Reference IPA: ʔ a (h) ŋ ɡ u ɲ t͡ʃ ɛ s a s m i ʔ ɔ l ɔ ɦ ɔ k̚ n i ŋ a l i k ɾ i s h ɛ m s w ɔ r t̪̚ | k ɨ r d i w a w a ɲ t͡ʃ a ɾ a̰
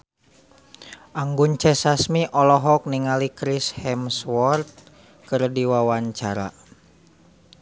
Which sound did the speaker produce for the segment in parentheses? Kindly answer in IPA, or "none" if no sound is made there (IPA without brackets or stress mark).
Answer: none